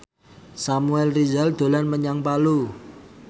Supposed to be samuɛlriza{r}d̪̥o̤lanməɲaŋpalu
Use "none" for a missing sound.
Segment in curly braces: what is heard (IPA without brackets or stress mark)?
l